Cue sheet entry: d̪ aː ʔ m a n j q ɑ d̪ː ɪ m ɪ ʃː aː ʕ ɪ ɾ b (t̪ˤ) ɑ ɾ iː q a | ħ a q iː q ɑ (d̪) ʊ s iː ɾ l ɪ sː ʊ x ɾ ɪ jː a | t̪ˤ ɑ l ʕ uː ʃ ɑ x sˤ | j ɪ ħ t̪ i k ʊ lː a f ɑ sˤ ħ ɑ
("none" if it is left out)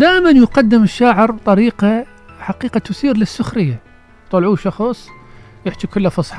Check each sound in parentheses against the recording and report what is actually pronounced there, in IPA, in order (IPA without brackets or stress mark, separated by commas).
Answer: t̪ˤ, t̪